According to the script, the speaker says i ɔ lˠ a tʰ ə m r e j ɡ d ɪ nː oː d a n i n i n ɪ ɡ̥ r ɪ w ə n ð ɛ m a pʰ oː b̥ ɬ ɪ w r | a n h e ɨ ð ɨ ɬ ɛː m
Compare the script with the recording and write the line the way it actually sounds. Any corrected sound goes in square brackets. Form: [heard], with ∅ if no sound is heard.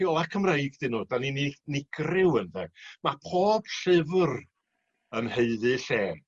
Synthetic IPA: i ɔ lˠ a [kʰ] ə m r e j ɡ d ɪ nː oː d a n i n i n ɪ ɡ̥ r ɪ w ə n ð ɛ m a pʰ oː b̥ ɬ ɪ [v] r | [ə] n h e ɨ ð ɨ ɬ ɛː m